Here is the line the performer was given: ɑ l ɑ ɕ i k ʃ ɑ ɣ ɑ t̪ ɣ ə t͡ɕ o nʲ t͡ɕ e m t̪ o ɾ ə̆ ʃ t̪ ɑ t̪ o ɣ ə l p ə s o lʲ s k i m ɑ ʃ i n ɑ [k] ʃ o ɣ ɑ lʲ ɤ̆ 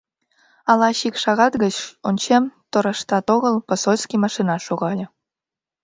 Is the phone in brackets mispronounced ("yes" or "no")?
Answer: yes